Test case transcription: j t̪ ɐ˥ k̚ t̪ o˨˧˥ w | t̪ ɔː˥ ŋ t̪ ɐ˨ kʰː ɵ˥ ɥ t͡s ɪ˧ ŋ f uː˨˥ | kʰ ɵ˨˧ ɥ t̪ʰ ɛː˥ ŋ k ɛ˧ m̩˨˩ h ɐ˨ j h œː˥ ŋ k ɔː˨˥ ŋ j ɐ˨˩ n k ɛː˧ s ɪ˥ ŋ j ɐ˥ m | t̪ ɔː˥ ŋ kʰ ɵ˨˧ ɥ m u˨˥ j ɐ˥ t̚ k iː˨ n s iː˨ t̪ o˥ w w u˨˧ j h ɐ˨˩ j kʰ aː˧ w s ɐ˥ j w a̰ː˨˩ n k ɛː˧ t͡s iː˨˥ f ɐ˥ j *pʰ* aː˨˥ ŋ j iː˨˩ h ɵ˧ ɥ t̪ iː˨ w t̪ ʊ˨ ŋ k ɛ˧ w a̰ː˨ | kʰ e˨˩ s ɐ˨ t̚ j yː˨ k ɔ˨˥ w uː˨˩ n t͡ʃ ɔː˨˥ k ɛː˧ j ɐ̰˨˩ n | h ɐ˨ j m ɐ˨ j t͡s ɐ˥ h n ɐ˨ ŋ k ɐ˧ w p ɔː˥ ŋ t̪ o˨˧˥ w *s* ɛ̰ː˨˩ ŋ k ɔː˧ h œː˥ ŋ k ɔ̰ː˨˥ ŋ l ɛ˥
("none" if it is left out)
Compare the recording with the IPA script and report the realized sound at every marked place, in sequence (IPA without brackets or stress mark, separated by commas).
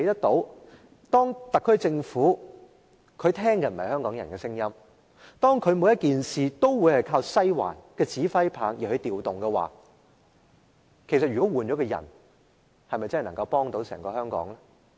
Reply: pʰ, s